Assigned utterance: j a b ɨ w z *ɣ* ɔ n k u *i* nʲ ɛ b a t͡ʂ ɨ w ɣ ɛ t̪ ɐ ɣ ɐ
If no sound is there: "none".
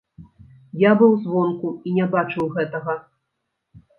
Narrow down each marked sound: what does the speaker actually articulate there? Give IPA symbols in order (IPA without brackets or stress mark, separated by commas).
v, i